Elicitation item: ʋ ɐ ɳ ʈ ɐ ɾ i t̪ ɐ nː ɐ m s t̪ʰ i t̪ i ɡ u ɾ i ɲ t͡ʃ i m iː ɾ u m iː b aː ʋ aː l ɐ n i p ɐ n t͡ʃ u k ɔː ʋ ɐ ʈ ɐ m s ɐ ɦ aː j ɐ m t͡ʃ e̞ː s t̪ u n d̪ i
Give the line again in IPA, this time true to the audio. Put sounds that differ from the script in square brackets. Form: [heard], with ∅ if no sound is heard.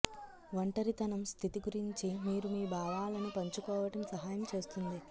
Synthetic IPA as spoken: ʋ ɐ ɳ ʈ ɐ ɾ i t̪ ɐ [n] ɐ m s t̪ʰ i t̪ i ɡ u ɾ i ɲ t͡ʃ i m iː ɾ u m iː b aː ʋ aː l ɐ n i p ɐ [ɲ] t͡ʃ u k ɔː ʋ ɐ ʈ ɐ m s ɐ ɦ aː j ɐ m t͡ʃ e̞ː s t̪ u n d̪ i